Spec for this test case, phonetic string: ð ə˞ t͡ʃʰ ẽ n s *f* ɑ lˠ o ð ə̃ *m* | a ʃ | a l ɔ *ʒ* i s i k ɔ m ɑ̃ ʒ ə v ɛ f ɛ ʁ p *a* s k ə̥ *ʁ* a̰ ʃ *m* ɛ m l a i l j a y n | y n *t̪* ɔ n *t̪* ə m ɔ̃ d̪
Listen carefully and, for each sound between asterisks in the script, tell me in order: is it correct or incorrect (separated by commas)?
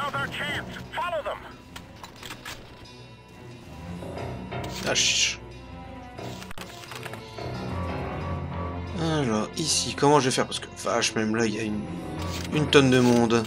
correct, correct, incorrect, correct, incorrect, correct, correct, incorrect